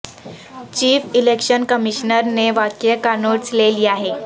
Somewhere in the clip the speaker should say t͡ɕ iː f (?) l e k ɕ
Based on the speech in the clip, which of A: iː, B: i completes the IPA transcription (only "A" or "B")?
B